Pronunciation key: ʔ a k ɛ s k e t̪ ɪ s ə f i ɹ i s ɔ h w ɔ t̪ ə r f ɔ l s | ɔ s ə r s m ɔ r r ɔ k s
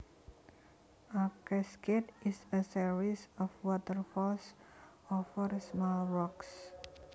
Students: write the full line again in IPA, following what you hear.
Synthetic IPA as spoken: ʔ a k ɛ s k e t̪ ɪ s ə s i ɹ i s ɔ f w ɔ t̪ ə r f ɔ l s | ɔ f ə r s m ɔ l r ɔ k s